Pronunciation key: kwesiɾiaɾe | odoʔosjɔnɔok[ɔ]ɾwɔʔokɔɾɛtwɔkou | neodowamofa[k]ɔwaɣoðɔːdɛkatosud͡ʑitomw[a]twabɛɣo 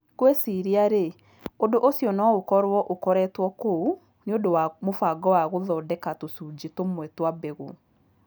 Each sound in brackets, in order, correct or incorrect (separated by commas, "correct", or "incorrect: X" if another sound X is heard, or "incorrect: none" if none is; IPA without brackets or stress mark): correct, incorrect: ɡ, incorrect: ɛ